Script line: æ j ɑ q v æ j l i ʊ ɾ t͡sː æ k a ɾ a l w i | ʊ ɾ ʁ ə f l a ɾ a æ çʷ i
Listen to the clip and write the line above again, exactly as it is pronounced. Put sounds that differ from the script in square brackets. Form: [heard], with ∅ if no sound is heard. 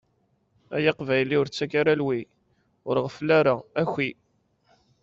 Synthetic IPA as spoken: æ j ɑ q v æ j l i ʊ ɾ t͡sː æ k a ɾ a l w i | ʊ ɾ ʁ ə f l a ɾ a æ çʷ i